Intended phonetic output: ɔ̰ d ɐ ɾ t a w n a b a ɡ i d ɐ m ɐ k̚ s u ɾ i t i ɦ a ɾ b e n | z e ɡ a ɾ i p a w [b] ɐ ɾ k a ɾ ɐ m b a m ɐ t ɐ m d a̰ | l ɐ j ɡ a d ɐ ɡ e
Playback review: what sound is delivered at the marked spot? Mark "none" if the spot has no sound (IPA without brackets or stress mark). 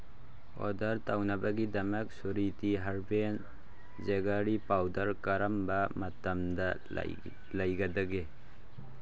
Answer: d